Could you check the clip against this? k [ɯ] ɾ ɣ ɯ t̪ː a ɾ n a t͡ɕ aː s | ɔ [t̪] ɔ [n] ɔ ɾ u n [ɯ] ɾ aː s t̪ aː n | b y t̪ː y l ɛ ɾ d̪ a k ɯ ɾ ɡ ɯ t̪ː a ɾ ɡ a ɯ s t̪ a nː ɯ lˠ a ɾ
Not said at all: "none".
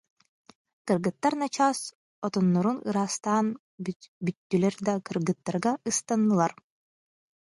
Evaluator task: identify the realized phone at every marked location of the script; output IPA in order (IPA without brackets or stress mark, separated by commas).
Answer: ɯ, t̪, nː, ɯ